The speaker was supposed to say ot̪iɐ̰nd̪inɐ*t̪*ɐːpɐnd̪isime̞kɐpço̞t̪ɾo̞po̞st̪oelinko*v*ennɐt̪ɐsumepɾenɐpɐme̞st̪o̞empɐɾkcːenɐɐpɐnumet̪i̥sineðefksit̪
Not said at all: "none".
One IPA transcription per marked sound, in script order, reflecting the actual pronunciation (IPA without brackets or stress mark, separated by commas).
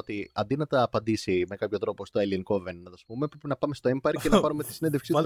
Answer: t̪, v